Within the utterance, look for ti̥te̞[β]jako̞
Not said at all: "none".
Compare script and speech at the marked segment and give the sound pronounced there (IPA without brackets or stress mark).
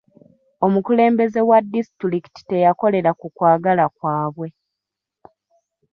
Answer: none